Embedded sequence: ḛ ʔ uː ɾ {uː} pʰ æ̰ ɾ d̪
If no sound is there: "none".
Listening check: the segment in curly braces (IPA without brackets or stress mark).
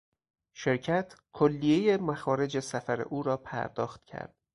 ɒː